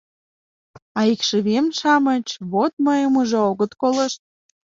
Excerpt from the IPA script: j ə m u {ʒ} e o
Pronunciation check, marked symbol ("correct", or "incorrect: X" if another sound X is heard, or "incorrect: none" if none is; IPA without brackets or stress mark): correct